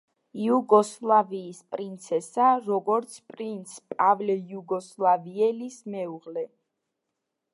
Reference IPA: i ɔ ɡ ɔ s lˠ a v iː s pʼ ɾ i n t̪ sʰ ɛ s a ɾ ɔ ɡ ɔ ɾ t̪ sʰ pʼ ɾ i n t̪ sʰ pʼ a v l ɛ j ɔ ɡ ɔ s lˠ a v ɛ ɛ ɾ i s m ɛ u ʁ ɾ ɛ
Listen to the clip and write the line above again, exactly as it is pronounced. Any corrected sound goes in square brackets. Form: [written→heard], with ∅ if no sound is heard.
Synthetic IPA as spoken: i [ɔ→u] ɡ ɔ s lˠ a v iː s pʼ ɾ i n t̪ sʰ ɛ s a ɾ ɔ ɡ ɔ ɾ t̪ sʰ pʼ ɾ i n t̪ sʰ pʼ a v l ɛ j [ɔ→u] ɡ ɔ s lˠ a v [ɛ→i] ɛ [ɾ→l] i s m ɛ u ʁ [ɾ→l] ɛ